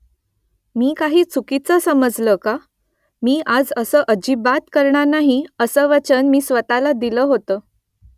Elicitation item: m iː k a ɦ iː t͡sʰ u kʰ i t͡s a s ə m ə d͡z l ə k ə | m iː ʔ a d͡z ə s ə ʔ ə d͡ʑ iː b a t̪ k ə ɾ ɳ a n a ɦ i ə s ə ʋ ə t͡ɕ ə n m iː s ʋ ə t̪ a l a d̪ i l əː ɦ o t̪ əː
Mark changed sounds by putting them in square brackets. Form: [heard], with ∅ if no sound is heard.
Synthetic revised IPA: m iː k a ɦ iː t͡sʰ u [k] i t͡s [ə] s ə m ə d͡z l ə k [a] | m iː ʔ a d͡z ə s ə ʔ ə d͡ʑ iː b a t̪ k ə ɾ ɳ a n a ɦ i ə s ə ʋ ə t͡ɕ ə n m iː s ʋ ə t̪ a l a d̪ i l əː ɦ o t̪ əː